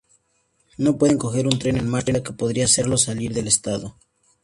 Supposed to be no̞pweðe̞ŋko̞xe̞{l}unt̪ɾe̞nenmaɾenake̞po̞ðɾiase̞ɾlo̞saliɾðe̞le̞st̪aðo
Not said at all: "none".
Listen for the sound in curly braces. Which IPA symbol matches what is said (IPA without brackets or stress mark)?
ɾ